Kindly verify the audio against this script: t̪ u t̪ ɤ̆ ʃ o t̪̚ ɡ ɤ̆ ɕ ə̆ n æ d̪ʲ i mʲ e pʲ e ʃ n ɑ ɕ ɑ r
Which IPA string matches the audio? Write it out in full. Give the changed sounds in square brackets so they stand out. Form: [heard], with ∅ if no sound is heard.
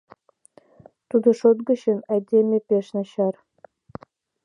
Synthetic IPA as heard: t̪ u [d̪] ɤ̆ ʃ o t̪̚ ɡ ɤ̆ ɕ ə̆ n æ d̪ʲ [e] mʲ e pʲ e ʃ n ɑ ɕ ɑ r